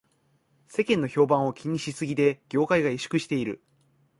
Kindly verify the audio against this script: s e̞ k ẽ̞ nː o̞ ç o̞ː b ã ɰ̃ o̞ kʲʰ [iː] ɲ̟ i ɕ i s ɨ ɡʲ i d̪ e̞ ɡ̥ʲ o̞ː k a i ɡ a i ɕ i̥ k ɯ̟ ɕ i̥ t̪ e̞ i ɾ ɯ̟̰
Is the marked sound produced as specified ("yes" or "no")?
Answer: no